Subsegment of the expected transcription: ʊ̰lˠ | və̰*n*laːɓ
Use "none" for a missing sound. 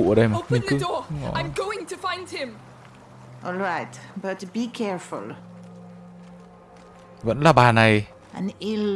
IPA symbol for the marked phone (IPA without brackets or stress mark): n